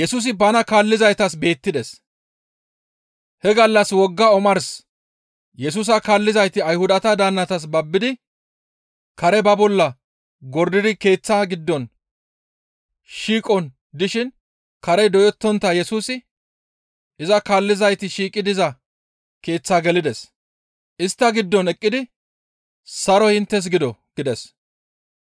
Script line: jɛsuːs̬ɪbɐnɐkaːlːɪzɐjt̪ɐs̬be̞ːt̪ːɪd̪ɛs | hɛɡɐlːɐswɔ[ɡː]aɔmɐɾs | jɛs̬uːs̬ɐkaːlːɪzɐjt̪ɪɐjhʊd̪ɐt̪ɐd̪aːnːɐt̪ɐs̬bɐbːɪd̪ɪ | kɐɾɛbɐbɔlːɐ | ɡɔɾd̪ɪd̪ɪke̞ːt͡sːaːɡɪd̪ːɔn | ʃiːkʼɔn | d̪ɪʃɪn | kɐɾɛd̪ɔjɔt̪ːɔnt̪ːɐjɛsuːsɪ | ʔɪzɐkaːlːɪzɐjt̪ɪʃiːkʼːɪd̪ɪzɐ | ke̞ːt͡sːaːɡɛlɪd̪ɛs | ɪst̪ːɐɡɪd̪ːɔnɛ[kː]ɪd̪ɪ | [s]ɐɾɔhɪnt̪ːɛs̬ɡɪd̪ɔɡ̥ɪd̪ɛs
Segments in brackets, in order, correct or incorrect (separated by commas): correct, incorrect, correct